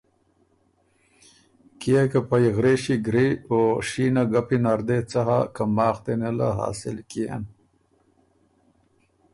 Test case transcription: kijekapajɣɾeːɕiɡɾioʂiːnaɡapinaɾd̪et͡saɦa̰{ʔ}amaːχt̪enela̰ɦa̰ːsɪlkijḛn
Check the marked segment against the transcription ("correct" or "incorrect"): incorrect